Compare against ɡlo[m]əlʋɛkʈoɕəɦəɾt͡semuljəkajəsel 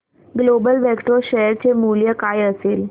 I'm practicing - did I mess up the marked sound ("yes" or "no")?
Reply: yes